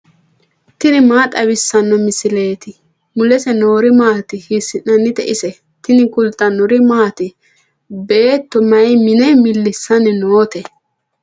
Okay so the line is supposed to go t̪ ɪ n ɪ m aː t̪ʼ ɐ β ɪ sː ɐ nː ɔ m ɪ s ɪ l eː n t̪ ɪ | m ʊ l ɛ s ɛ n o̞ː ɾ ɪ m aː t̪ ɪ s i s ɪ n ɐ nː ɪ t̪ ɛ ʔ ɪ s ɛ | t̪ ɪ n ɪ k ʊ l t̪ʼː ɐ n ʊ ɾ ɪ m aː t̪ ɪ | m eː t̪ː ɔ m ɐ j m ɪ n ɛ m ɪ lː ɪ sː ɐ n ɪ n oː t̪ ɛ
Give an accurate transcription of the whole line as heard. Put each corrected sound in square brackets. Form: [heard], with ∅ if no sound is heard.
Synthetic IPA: t̪ ɪ n ɪ m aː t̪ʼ ɐ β ɪ sː ɐ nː ɔ m ɪ s ɪ l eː [∅] t̪ ɪ | m ʊ l ɛ s ɛ n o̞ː ɾ ɪ m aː t̪ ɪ [h] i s ɪ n ɐ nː ɪ t̪ ɛ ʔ ɪ s ɛ | t̪ ɪ n ɪ k ʊ l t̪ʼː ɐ n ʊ ɾ ɪ m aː t̪ ɪ | [b] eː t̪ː ɔ m ɐ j m ɪ n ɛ m ɪ lː ɪ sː ɐ n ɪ n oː t̪ ɛ